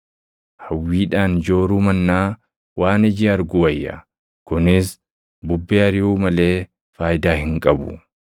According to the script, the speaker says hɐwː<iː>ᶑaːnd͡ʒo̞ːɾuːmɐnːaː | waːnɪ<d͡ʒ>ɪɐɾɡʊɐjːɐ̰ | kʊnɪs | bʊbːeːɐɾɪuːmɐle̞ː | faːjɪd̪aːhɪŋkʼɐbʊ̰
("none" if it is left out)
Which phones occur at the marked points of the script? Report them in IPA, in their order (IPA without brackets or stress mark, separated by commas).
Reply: iː, d͡ʒ